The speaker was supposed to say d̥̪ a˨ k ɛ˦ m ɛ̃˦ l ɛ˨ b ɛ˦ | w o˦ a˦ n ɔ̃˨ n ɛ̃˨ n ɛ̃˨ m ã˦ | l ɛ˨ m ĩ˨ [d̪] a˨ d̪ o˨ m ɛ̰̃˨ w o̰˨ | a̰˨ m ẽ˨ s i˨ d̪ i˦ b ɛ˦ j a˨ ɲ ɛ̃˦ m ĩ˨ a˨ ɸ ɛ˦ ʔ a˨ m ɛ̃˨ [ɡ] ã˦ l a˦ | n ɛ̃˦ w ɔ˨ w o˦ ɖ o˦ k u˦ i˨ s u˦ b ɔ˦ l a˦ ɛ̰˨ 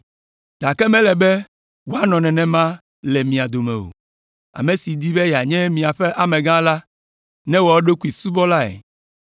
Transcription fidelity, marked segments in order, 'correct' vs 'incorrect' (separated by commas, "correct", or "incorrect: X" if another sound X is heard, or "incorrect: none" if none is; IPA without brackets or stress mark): incorrect: none, correct